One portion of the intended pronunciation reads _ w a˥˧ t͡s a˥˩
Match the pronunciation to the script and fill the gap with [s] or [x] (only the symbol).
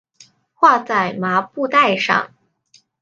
x